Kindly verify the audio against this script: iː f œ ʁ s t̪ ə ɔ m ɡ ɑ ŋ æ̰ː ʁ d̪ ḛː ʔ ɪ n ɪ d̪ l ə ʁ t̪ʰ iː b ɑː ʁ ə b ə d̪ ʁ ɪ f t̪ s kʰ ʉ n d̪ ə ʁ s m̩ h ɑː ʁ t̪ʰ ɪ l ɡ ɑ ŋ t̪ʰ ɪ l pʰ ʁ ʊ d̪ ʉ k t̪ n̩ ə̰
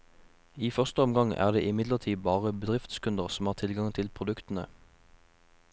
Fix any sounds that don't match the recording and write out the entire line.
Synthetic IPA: iː f œ ʁ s t̪ ə ɔ m ɡ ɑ ŋ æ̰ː ʁ d̪ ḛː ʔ ɪ m ɪ d̪ l ə ʁ t̪ʰ iː b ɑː ʁ ə b ə d̪ ʁ ɪ f t̪ s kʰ ʉ n d̪ ə ʁ s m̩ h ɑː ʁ t̪ʰ ɪ l ɡ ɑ ŋ t̪ʰ ɪ l pʰ ʁ ʊ d̪ ʉ k t̪ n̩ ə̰